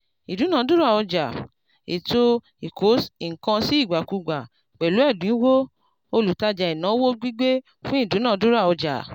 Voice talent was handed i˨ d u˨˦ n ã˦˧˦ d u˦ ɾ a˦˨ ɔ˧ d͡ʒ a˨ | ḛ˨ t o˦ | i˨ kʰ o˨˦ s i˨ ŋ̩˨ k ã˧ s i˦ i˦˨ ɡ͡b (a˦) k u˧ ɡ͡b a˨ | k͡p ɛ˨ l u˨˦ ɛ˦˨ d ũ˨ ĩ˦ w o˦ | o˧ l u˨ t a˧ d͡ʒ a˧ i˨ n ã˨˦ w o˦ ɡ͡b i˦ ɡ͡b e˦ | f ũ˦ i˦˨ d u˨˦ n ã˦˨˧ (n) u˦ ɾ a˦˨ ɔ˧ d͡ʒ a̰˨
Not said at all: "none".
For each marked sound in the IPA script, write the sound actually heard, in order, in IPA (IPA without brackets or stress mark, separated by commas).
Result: a˨, d